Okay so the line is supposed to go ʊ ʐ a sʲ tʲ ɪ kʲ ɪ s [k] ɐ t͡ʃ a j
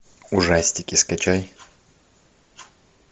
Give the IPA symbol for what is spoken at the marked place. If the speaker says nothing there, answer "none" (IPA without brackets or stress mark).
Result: k